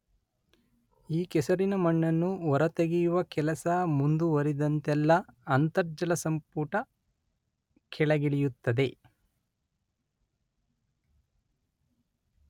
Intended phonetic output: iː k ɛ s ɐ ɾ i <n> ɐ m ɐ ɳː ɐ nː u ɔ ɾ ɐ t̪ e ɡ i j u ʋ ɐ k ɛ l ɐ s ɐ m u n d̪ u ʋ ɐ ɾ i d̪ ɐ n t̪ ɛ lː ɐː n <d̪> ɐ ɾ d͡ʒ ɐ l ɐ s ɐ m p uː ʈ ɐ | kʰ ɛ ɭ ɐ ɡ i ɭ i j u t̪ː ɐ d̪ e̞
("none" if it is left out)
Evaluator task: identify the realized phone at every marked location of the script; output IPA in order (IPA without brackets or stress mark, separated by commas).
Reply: n, t̪